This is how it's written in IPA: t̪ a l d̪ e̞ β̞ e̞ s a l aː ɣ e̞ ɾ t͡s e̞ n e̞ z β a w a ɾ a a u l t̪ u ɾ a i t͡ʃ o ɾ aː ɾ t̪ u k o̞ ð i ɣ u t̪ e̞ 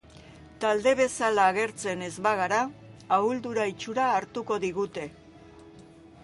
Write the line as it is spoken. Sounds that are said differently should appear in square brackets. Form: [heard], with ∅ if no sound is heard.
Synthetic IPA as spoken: t̪ a l d̪ e̞ β̞ e̞ s a l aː ɣ e̞ ɾ t͡s e̞ n e̞ z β a [ɣ] a ɾ a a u l [d̪] u ɾ a i t͡ʃ [u] ɾ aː ɾ t̪ u k o̞ ð i ɣ u t̪ e̞